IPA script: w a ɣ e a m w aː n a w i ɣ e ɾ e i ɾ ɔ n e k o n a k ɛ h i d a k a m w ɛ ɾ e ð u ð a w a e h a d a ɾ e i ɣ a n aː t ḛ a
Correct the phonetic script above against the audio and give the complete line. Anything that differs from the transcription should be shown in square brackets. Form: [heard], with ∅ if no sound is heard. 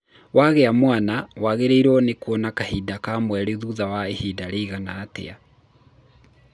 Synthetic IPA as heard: w a ɣ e a m w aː n a w [a] ɣ e ɾ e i ɾ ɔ n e k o n a k [a] h i d a k a m w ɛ ɾ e ð u ð a w a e h [i] d a ɾ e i ɣ a n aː t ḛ a